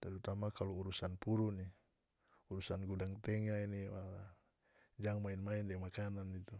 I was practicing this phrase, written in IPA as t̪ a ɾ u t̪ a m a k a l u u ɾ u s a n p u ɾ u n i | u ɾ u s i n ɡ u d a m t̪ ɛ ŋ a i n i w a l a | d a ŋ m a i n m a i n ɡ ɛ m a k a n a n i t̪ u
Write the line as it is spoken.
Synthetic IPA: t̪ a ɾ u t̪ a m a k a l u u ɾ u s a n p u ɾ u n i | u ɾ u s a n ɡ u d a ŋ t̪ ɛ ŋ a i n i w a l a | d͡ʒ a ŋ m a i n m a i n d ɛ m a k a n a n i t̪ u

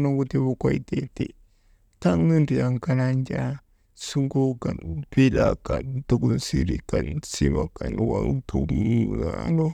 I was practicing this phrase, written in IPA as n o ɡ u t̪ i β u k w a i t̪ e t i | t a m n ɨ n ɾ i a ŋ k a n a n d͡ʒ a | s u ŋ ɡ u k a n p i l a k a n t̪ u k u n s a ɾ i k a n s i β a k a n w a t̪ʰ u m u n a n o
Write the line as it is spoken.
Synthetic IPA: n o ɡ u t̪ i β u k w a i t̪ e t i | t a ŋ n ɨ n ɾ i a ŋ k a n a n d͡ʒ a | s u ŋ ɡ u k a n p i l a k a n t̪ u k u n s i ɾ i k a n s i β a k a n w a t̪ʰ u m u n a n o

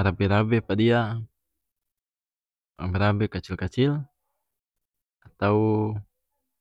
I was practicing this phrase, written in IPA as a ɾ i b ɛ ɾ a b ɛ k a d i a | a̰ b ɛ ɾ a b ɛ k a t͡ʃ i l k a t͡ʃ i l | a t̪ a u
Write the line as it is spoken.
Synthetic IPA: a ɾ a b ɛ ɾ a b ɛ p a d i a | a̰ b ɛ ɾ a b ɛ k a t͡ʃ i l k a t͡ʃ i l | a t̪ a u

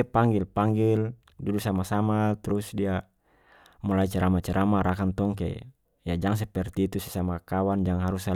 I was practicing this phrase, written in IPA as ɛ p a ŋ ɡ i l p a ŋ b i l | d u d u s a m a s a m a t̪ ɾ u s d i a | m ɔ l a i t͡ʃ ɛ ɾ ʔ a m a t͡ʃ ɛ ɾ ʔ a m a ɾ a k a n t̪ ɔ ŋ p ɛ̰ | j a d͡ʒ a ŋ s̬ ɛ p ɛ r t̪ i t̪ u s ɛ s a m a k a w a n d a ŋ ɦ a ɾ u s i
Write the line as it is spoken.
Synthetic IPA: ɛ p a ŋ ɡ i l p a ŋ ɡ i l | d u d u s a m a s a m a t̪ ɾ u s d i a | m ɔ l a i t͡ʃ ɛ ɾ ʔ a m a t͡ʃ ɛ ɾ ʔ a m a ɾ a k a n t̪ ɔ ŋ k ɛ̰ | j a d͡ʒ a ŋ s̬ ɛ p ɛ r t̪ i t̪ u s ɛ s a m a k a w a n d͡ʒ a ŋ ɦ a ɾ u s a

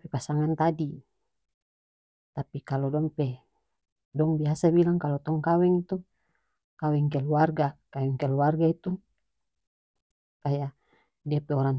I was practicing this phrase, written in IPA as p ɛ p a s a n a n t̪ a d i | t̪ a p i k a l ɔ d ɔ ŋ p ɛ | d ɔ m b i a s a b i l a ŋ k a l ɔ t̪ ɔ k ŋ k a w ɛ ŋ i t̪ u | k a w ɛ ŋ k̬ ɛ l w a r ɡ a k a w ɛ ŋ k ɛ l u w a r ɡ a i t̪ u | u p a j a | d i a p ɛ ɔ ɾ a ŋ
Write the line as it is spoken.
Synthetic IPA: p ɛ p a s a ŋ a n t̪ a d i | t̪ a p i k a l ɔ d ɔ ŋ p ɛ | d ɔ ŋ b i a s a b i l a ŋ k a l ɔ t̪ ɔ ŋ k a w ɛ ŋ i t̪ u | k a w ɛ ŋ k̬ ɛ l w a r ɡ a k a w ɛ ŋ k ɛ l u w a r ɡ a i t̪ u | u p a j a | d i a p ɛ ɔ ɾ a ŋ

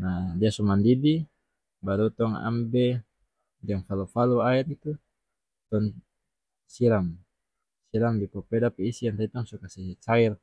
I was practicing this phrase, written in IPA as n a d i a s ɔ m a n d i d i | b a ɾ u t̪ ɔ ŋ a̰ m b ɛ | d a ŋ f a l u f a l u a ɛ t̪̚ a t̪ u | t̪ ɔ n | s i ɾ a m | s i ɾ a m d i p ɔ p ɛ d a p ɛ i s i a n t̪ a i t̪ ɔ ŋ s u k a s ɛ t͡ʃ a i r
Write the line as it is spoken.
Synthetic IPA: n a d i a s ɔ m a n d i d i | b a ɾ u t̪ ɔ ŋ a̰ m b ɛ | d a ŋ f a l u f a l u a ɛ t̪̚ i t̪ u | t̪ ɔ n | s i ɾ a m | s i ɾ a m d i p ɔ p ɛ d a p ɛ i s i a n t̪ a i t̪ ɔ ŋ s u k a s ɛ t͡ʃ a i r

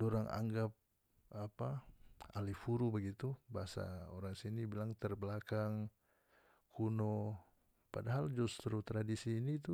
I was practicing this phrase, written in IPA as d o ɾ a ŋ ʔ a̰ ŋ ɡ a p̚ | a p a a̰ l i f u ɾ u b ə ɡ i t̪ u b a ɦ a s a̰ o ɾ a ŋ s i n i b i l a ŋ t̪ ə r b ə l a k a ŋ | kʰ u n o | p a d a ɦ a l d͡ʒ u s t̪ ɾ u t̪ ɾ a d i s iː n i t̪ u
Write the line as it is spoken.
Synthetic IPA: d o ɾ a ŋ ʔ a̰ ŋ ɡ a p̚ | a p a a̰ l i f u ɾ u b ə ɡ i t̪ u b a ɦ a s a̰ o ɾ a ŋ s i n i b i l a ŋ t̪ ə r b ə l a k a ŋ | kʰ u n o | p a d a ɦ a l d͡ʒ u s t̪ ɾ u t̪ ɾ a d i s iː n i t̪ u

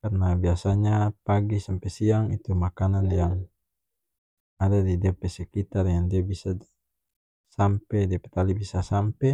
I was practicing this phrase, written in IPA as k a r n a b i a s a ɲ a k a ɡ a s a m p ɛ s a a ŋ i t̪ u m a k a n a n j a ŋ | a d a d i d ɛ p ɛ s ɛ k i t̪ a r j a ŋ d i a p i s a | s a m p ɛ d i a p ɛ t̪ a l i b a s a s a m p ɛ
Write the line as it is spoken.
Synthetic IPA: k a r n a b i a s a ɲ a p a ɡ i s a m p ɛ s i a ŋ i t̪ u m a k a n a n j a ŋ | a d a d i d ɛ p ɛ s ɛ k i t̪ a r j a ŋ d i a b i s a | s a m p ɛ d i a p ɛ t̪ a l i b i s a s a m p ɛ

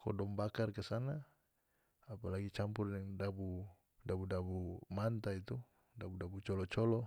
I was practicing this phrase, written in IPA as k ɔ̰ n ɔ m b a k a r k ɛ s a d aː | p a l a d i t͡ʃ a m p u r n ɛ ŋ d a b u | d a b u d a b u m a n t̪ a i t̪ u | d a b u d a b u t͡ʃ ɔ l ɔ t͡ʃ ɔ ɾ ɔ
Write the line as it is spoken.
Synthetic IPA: k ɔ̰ d ɔ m b a k a r k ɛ s a n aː | p a l a ɡ i t͡ʃ a m p u r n ɛ ŋ d a b u | d a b u d a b u m a n t̪ a i t̪ u | d a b u d a b u t͡ʃ ɔ l ɔ t͡ʃ ɔ l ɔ

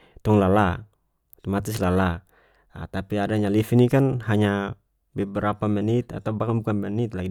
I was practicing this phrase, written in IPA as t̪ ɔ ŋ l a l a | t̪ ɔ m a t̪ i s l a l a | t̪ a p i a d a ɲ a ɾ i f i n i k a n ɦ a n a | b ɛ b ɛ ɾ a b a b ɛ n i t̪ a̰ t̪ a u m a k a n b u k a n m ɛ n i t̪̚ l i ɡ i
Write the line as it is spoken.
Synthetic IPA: t̪ ɔ ŋ l a l a | t̪ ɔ m a t̪ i s l a l a | t̪ a p i a d a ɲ a l i f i n i k a n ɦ a ɲ a | b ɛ b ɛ ɾ a p a m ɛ n i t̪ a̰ t̪ a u b a k a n b u k a n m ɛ n i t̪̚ l a ɡ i

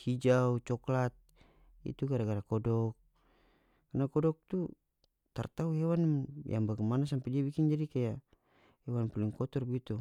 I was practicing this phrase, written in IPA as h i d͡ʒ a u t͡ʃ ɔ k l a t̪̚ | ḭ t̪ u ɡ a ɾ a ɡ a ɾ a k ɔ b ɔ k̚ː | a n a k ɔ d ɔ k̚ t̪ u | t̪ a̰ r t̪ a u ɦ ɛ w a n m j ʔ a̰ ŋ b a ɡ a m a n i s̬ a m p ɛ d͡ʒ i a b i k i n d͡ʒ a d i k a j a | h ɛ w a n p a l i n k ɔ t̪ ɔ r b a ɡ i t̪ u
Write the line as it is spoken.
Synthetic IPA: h i d͡ʒ a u t͡ʃ ɔ k l a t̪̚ | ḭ t̪ u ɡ a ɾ a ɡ a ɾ a k ɔ d ɔ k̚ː | a n a k ɔ d ɔ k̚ t̪ u | t̪ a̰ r t̪ a u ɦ ɛ w a n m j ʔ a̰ ŋ b a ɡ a m a n a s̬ a m p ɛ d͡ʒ i a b i k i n d͡ʒ a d i k a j a | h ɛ w a n p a l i ŋ k ɔ t̪ ɔ r b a ɡ i t̪ u

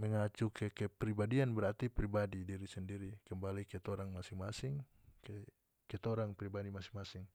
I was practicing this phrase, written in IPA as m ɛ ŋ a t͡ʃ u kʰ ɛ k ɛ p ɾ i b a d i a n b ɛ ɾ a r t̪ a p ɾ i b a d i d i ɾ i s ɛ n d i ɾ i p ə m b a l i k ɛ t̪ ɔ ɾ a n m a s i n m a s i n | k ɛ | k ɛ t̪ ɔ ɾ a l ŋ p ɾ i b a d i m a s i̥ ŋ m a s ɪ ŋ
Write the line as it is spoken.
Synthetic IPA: m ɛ ŋ a t͡ʃ u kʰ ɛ k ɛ p ɾ i b a d i a n b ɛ ɾ a r t̪ i p ɾ i b a d i d i ɾ i s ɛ n d i ɾ i k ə m b a l i k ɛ t̪ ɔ ɾ a ŋ m a s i ŋ m a s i ŋ | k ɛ | k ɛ t̪ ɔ ɾ a ŋ p ɾ i b a d i m a s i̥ ŋ m a s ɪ ŋ

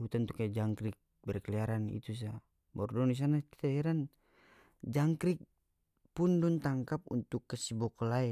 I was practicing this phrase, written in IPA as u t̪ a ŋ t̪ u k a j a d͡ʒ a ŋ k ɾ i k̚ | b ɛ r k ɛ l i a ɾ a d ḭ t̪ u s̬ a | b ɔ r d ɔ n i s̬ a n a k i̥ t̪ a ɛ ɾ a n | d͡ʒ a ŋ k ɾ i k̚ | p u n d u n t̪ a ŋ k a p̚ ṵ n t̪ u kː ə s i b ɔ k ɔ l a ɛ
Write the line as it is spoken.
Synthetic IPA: u t̪ a n t̪ u k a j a d͡ʒ a ŋ k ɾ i k̚ | b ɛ r k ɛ l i a ɾ a n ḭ t̪ u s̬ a | b ɔ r d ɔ n i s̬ a n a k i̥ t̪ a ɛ ɾ a n | d͡ʒ a ŋ k ɾ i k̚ | p u n d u n t̪ a ŋ k a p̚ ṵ n t̪ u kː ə s i b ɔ k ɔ l a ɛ

